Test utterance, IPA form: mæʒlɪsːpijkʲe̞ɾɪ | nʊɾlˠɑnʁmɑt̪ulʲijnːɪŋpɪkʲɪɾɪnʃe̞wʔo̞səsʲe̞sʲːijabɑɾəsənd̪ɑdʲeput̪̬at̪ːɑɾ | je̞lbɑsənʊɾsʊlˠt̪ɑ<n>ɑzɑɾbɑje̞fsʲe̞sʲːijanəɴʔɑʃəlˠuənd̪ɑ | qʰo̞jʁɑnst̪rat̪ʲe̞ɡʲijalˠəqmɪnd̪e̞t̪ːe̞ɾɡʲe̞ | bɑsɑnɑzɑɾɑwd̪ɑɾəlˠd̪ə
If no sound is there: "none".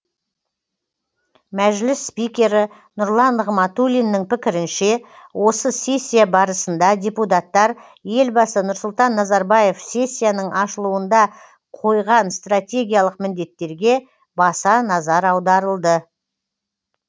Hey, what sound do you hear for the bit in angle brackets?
nː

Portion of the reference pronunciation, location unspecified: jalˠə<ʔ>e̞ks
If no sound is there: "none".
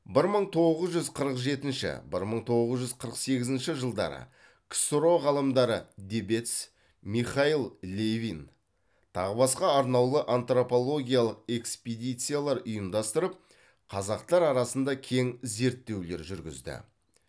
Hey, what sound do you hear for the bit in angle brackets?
q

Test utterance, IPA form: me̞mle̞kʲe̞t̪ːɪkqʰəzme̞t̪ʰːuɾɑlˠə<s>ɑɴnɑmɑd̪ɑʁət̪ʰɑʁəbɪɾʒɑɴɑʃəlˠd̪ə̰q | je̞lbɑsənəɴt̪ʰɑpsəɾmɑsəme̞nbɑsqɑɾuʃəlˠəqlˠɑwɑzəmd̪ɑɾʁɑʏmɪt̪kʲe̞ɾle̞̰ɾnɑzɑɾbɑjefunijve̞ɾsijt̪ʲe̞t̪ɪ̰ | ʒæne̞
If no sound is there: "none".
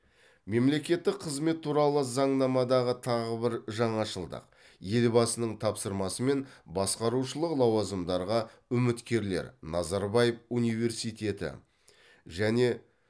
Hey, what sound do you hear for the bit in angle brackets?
z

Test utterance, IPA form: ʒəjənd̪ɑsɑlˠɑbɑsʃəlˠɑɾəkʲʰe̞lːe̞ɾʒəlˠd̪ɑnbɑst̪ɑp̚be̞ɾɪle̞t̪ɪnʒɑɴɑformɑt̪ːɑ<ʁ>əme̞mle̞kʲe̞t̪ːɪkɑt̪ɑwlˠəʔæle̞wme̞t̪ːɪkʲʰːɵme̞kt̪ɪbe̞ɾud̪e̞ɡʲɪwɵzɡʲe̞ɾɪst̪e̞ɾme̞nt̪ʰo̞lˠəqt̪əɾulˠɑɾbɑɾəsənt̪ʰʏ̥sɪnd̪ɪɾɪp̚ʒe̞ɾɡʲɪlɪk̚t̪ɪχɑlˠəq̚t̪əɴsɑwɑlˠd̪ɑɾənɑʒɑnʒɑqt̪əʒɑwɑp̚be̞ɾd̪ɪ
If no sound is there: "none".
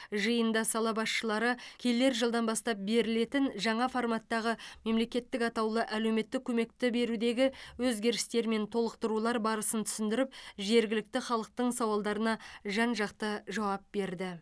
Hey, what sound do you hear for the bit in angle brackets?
ʁ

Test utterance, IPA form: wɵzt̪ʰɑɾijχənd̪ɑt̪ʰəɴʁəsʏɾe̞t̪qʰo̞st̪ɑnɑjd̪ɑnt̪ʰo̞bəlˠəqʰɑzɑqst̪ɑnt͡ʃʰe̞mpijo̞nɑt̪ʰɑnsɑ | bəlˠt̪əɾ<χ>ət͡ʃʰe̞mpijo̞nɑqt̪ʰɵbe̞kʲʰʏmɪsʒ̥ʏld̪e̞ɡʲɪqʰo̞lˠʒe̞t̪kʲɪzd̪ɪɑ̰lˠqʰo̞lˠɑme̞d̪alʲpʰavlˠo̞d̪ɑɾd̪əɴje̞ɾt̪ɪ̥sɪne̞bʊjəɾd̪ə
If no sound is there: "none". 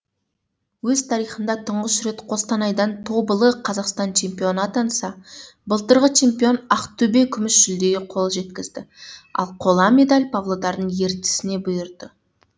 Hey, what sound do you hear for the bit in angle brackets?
ʁ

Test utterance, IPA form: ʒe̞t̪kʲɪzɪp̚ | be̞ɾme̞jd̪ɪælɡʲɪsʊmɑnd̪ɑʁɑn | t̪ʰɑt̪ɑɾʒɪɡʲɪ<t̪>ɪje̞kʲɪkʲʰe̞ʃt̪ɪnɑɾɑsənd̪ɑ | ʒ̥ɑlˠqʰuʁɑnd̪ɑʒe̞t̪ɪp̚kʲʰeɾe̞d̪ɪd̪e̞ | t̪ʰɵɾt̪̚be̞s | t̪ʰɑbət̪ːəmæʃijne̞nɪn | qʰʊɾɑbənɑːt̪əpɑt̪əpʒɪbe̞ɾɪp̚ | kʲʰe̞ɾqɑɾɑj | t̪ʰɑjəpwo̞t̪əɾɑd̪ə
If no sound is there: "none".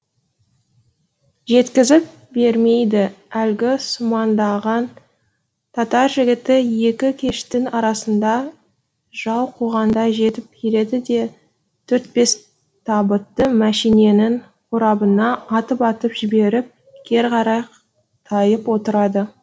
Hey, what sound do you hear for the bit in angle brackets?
t̪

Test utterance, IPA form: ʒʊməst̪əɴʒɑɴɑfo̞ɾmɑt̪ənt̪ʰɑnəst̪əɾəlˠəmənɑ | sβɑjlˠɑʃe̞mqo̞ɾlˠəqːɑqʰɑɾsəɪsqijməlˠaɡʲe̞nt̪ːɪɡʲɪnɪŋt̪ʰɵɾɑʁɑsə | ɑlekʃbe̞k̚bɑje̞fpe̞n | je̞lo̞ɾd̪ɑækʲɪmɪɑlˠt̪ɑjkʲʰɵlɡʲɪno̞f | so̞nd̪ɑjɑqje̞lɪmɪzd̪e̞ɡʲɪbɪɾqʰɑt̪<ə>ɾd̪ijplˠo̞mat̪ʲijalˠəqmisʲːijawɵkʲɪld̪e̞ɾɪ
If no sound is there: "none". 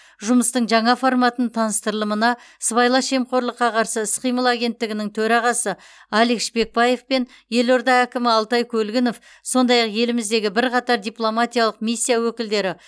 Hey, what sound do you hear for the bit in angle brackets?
ɑ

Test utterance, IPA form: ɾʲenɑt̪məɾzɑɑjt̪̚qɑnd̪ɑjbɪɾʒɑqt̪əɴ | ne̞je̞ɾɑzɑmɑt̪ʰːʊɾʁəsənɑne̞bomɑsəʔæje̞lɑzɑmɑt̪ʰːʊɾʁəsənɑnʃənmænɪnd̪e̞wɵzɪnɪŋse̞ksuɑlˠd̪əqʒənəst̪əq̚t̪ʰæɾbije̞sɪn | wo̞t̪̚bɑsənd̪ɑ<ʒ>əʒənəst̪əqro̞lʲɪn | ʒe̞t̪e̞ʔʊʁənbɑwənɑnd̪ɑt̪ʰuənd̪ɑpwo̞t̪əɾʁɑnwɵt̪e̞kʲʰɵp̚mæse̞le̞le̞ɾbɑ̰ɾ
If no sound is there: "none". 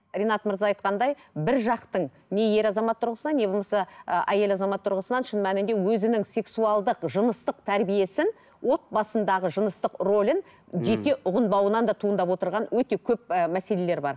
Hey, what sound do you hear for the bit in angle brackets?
ʁ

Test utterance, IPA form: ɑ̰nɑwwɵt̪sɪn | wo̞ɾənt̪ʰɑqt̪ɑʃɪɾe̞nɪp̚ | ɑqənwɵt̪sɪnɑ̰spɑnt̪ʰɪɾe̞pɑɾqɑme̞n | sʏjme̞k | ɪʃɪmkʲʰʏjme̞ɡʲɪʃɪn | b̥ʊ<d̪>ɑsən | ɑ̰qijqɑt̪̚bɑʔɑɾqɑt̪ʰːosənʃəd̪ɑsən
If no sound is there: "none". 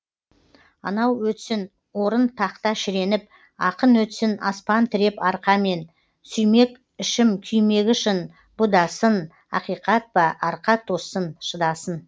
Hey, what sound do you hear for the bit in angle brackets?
d̪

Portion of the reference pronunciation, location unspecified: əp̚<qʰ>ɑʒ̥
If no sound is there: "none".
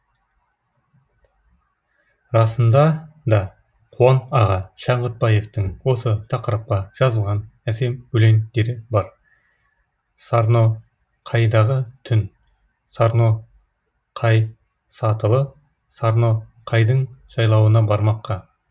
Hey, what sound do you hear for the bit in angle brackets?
q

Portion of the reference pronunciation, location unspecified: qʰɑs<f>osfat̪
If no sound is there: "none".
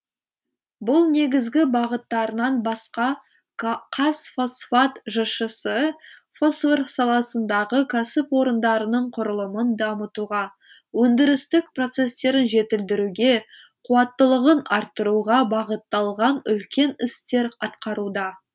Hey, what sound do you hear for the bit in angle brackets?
f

